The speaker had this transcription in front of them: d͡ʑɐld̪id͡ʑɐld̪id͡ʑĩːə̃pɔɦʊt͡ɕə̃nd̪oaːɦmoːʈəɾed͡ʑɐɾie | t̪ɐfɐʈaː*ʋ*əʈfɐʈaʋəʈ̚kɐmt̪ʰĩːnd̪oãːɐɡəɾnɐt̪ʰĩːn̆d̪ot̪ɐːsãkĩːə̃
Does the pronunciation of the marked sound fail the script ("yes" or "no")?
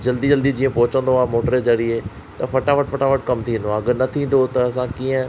no